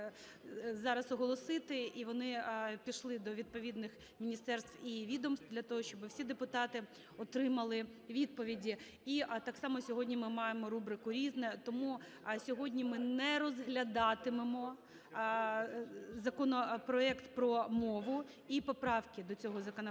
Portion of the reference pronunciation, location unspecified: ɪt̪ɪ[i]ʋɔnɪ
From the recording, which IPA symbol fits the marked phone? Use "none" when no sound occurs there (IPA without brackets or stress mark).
i